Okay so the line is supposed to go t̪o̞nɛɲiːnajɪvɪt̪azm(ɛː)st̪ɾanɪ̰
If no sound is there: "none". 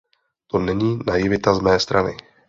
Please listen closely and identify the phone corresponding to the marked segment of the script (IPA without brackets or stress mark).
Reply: ɛː